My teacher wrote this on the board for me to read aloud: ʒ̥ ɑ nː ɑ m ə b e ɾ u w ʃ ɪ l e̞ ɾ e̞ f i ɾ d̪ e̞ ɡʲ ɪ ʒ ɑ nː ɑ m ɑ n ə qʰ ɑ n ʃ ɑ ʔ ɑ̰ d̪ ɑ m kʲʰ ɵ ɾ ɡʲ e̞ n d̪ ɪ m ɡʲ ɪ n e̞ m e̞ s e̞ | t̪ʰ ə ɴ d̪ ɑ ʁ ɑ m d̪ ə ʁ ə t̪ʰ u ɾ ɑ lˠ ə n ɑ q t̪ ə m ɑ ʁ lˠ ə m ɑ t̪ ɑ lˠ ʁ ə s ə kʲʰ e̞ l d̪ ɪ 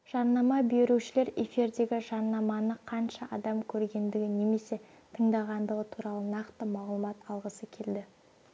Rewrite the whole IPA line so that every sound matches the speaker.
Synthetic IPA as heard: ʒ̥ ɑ nː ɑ m ɑ b e ɾ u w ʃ ɪ l e̞ ɾ e̞ f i ɾ d̪ e̞ ɡʲ ɪ ʒ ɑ nː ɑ m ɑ n ə qʰ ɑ n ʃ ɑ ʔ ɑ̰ d̪ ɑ m kʲʰ ɵ ɾ ɡʲ e̞ n d̪ ɪ ɡʲ ɪ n e̞ m e̞ s e̞ | t̪ʰ ə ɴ d̪ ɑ ʁ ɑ n d̪ ə ʁ ə t̪ʰ u ɾ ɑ lˠ ə n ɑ q t̪ ə m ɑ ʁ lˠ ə m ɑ t̪ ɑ lˠ ʁ ə s ə kʲʰ e̞ l d̪ ɪ